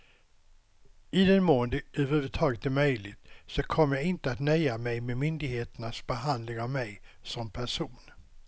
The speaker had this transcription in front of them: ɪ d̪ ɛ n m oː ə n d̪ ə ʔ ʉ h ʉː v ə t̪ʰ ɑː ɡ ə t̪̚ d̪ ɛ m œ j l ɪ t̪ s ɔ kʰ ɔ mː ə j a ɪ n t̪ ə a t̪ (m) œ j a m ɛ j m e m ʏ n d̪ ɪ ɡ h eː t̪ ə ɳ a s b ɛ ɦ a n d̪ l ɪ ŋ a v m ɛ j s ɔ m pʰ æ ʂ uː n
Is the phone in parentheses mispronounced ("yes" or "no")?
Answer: yes